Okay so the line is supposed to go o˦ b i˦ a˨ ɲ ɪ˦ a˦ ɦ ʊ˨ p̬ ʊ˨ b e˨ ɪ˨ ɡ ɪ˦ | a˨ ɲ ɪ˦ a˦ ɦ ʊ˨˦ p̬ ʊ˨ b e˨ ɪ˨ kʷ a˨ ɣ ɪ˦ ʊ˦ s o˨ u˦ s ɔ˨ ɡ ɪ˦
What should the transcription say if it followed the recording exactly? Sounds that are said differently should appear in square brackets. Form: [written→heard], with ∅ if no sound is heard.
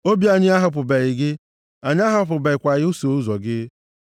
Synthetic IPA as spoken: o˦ b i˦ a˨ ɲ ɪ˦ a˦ ɦ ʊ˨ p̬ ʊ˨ b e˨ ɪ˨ ɡ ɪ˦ | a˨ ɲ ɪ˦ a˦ ɦ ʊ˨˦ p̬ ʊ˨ b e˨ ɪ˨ kʷ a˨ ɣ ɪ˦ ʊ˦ s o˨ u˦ [s→z] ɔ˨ ɡ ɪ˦